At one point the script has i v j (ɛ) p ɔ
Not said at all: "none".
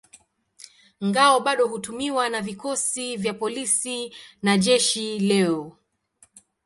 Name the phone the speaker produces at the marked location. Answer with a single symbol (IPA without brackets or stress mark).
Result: a